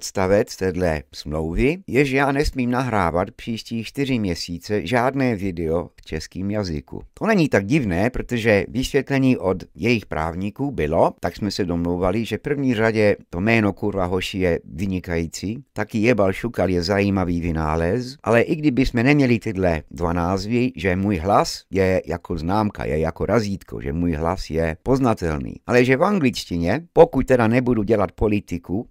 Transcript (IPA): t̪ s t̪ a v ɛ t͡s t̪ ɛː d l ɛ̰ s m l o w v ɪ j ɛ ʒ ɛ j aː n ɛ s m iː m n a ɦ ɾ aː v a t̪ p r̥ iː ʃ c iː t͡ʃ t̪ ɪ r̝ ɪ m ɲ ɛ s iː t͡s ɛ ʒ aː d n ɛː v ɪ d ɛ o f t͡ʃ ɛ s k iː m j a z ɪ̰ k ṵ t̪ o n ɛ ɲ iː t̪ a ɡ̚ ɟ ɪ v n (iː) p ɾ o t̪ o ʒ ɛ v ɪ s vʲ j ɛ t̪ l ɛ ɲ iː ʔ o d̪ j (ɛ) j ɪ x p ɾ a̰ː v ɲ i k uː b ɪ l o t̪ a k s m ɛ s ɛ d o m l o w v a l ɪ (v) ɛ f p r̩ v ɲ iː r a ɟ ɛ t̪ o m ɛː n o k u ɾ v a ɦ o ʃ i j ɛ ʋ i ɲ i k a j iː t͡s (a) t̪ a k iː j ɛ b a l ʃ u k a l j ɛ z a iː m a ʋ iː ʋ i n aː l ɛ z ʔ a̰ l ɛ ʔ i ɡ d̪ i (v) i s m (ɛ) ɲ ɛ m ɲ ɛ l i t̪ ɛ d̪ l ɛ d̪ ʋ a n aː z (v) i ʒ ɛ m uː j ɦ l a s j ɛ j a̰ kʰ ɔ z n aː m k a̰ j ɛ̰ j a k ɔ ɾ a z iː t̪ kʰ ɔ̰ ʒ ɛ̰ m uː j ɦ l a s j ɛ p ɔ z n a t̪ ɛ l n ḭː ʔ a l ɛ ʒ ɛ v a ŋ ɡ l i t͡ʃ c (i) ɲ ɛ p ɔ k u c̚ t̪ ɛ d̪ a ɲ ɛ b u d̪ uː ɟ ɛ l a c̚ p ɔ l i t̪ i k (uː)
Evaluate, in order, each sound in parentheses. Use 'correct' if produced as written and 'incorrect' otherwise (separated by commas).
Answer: incorrect, correct, incorrect, incorrect, incorrect, correct, incorrect, correct, incorrect